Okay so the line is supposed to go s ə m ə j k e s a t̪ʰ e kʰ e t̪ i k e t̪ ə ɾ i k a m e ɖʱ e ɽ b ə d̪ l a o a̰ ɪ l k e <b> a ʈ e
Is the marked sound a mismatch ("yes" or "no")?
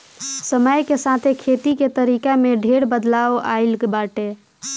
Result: no